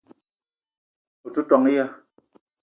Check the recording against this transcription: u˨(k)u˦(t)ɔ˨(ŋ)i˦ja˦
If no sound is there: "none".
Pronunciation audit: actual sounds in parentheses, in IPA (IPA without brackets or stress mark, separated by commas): t, t, ŋ